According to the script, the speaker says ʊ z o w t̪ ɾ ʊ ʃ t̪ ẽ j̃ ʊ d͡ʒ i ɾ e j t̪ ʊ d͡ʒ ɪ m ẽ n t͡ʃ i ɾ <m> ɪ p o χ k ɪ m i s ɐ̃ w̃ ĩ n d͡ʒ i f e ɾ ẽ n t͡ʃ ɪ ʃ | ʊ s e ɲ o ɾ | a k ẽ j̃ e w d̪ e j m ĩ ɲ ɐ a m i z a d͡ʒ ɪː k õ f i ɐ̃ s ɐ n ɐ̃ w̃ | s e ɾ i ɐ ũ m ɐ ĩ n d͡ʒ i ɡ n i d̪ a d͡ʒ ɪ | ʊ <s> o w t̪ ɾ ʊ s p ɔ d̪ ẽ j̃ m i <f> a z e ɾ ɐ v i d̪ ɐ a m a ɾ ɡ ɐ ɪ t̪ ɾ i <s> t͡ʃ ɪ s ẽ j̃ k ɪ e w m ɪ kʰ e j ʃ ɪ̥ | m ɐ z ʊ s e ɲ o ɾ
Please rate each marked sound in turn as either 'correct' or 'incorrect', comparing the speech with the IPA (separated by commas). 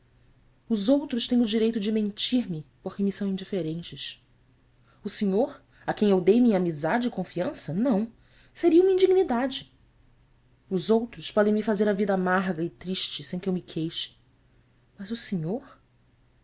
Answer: correct, incorrect, correct, incorrect